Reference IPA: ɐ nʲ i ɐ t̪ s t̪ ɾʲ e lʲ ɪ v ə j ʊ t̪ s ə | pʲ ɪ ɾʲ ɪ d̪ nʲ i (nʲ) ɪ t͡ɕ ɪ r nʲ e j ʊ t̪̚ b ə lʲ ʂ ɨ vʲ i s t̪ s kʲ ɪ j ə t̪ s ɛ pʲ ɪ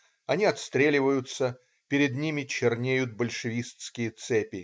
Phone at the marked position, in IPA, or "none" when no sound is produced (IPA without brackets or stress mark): mʲ